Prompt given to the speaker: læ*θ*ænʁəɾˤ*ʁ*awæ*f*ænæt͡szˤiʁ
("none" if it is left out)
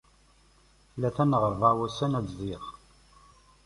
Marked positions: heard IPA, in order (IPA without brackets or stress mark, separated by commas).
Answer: θ, v, s